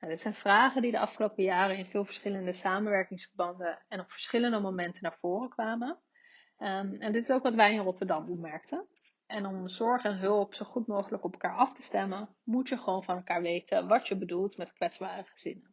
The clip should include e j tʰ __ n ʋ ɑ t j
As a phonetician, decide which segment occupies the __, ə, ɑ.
ə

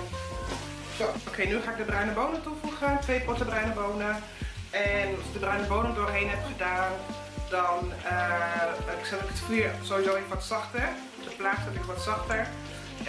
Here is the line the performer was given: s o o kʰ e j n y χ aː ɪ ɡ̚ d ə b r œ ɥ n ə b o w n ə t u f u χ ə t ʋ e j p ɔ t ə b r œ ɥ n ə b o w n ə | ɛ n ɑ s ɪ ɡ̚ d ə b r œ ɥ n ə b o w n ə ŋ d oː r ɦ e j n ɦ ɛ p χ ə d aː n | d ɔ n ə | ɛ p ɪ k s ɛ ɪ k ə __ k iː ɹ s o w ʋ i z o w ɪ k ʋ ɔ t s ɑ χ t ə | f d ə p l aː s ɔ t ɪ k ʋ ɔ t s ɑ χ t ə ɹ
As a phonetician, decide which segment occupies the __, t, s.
t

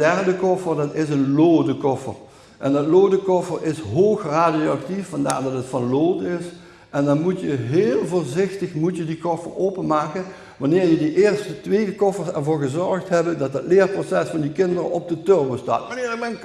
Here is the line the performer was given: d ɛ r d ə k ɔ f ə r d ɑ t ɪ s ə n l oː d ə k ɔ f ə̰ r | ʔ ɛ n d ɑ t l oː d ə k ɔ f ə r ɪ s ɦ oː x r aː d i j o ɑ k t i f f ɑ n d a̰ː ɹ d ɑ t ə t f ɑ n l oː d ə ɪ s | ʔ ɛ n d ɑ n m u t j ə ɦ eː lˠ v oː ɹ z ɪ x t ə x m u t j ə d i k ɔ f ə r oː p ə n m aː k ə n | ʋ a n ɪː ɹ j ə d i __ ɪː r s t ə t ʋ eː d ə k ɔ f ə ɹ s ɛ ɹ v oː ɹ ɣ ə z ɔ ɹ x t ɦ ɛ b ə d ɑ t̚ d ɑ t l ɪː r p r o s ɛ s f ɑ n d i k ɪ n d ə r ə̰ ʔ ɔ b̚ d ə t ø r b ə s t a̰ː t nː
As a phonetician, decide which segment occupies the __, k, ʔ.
ʔ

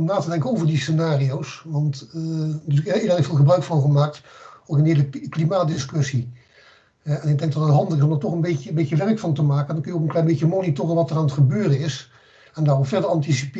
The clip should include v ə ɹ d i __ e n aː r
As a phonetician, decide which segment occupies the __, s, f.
s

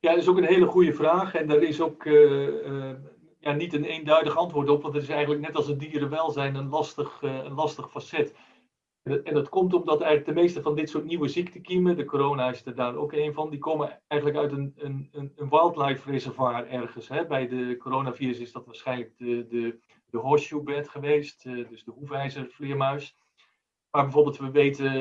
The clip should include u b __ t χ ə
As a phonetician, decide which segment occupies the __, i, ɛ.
ɛ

